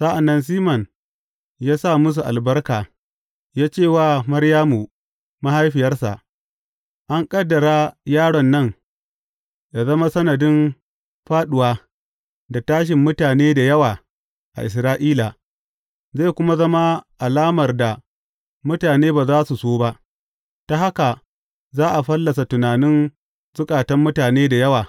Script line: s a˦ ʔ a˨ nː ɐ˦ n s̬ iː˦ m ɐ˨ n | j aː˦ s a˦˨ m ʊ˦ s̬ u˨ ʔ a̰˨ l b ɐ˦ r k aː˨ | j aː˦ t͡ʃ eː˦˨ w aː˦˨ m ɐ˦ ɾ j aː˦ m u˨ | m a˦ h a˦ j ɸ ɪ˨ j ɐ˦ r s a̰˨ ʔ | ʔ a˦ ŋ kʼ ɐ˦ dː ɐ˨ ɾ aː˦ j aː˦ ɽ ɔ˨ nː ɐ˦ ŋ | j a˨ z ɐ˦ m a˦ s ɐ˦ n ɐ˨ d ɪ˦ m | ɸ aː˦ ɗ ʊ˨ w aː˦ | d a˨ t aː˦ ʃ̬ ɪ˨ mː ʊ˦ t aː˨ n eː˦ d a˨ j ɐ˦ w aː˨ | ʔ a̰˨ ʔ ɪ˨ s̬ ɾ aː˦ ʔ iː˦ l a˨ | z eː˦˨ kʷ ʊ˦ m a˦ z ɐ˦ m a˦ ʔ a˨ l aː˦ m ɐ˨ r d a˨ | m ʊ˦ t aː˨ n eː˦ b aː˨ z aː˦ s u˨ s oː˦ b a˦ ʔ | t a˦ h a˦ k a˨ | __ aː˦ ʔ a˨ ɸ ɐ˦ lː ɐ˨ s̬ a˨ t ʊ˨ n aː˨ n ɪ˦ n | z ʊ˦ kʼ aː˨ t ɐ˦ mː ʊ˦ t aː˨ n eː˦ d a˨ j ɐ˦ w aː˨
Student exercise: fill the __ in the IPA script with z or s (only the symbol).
z